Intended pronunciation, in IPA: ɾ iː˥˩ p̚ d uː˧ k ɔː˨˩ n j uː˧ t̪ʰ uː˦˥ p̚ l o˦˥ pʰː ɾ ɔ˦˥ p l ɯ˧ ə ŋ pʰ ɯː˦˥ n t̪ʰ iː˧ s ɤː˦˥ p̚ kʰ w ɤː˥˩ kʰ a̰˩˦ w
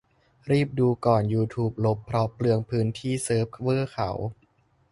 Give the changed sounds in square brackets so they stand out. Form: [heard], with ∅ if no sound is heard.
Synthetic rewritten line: ɾ iː˥˩ p̚ d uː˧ k ɔː˨˩ n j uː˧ t̪ʰ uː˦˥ p̚ l o˦˥ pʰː ɾ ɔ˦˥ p l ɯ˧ ə ŋ pʰ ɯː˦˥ n t̪ʰ [iː˥˩] s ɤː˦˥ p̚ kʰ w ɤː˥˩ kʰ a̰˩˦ w